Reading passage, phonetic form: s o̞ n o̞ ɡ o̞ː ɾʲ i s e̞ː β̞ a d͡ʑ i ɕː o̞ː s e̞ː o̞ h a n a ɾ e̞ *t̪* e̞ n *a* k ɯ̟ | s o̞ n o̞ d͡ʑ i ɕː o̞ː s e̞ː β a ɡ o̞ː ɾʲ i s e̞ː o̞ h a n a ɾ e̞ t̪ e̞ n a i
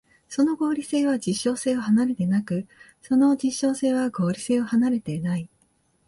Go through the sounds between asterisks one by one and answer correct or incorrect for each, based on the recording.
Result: correct, correct

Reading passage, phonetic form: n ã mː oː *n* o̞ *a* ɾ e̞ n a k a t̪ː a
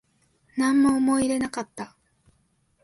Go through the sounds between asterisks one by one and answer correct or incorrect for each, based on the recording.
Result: incorrect: m, incorrect: i

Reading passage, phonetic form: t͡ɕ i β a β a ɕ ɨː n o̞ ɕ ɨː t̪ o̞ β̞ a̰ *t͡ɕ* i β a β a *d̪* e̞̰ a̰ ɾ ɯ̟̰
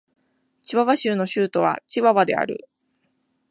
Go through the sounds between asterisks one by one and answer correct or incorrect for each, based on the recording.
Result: correct, correct

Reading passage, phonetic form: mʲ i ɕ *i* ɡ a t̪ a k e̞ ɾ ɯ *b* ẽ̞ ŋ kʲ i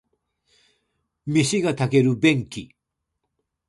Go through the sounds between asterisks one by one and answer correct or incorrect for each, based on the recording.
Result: correct, correct

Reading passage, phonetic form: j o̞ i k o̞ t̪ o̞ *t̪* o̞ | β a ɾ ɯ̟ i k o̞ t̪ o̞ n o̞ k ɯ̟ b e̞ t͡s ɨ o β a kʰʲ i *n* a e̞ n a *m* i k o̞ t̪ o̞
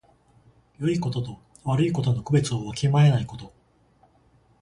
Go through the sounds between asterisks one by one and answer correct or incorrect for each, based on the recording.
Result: correct, incorrect: m, incorrect: none

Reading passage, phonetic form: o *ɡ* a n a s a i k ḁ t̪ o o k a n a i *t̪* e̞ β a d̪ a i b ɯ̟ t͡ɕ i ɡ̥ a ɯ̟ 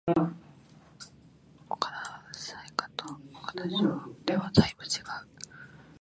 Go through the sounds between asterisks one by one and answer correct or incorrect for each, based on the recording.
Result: incorrect: k, incorrect: d̪

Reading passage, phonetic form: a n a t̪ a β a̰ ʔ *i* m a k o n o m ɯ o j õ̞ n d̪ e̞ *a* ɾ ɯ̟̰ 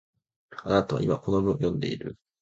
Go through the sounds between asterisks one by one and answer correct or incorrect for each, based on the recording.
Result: correct, incorrect: i

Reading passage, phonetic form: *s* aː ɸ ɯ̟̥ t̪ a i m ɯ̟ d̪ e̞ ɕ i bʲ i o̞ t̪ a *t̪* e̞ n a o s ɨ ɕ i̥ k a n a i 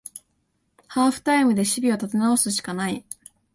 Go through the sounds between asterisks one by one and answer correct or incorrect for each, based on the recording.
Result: incorrect: h, correct

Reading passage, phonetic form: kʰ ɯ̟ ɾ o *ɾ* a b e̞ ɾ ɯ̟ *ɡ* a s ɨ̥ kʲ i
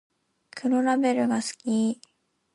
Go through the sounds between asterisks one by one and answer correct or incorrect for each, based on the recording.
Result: correct, correct

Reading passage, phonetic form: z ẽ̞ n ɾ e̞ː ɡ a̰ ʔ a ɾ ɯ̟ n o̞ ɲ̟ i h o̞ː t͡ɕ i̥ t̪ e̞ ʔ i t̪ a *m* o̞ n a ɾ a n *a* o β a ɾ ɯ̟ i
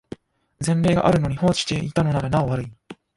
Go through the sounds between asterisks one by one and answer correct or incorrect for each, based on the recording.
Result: incorrect: n, correct

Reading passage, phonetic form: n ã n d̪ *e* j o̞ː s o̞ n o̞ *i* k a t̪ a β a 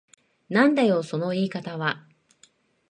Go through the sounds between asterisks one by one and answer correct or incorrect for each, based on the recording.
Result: incorrect: a, incorrect: iː

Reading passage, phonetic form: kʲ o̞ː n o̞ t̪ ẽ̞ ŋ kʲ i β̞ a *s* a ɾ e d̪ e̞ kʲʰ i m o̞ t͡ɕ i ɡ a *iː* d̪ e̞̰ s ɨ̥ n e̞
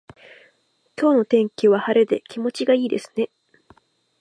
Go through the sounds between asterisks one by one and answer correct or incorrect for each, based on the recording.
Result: incorrect: h, correct

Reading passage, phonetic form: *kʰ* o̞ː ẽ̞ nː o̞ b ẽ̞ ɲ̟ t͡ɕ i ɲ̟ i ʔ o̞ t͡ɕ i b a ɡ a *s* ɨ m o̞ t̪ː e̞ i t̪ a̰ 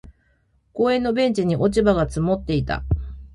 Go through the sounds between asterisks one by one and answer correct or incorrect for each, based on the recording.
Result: incorrect: k, incorrect: t͡s

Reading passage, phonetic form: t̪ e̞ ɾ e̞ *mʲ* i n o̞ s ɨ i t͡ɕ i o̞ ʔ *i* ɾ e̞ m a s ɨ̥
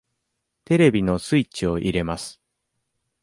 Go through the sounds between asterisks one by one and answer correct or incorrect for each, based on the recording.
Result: incorrect: bʲ, correct

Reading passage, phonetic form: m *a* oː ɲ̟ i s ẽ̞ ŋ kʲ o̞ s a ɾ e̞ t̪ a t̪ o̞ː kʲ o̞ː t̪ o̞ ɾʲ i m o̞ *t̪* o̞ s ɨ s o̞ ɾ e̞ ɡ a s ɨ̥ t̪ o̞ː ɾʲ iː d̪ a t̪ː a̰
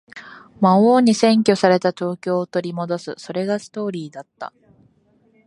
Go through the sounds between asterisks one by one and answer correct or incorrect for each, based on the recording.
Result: correct, incorrect: d̪

